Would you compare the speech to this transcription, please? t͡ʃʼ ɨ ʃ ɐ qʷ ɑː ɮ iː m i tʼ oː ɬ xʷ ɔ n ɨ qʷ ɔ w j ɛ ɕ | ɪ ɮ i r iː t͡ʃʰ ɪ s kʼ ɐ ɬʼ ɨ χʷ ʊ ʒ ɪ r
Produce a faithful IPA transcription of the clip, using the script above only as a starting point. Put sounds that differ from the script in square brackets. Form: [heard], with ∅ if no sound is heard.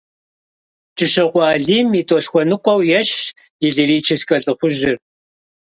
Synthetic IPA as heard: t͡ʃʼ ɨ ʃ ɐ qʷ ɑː ɮ iː m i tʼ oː ɬ xʷ ɔ n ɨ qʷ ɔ w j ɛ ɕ | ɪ ɮ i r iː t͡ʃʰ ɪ s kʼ ɐ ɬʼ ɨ χʷ ʊ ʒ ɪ r

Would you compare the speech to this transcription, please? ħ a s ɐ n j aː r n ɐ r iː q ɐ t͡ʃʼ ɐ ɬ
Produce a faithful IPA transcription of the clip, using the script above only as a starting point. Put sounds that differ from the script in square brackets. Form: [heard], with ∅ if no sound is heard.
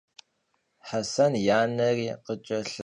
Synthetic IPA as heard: ħ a s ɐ n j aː [∅] n ɐ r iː q [ə] t͡ʃʼ ɐ ɬ

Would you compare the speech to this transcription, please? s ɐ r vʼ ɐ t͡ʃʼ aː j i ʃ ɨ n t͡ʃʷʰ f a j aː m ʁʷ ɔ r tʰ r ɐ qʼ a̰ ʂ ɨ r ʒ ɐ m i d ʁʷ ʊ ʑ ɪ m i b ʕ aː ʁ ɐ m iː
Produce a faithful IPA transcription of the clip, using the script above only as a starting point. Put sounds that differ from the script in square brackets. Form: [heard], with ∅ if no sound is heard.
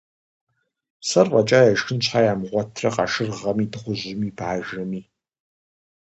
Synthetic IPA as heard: s ɐ r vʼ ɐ t͡ʃʼ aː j [a] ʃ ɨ n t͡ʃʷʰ [ħ] a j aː m ʁʷ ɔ [∅] tʰ r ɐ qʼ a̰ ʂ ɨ r [ʁ] ɐ m i d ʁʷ ʊ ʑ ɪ m i b ʕ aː [ʒ] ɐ m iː

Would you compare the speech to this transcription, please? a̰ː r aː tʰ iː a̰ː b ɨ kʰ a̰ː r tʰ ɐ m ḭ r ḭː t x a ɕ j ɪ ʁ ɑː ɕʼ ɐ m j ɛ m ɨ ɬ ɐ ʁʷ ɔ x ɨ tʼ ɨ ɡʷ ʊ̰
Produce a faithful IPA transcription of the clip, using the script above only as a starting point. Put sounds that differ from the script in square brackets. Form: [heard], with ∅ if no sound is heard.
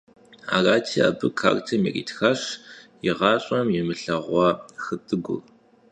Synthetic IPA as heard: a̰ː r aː tʰ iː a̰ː b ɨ kʰ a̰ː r tʰ ɐ m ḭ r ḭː t x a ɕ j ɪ ʁ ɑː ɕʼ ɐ m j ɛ m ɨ ɬ ɐ ʁʷ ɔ x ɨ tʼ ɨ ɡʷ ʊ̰

